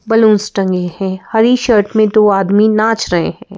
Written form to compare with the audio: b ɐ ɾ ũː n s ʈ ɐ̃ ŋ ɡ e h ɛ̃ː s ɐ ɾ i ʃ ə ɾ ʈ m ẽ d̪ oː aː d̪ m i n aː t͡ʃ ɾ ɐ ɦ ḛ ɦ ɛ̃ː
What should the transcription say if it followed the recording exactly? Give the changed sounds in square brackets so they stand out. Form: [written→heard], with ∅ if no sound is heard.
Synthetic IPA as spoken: b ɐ [ɾ→l] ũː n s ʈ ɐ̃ ŋ ɡ e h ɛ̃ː [s→h] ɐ ɾ i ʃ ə ɾ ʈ m ẽ d̪ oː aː d̪ m i n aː t͡ʃ ɾ ɐ ɦ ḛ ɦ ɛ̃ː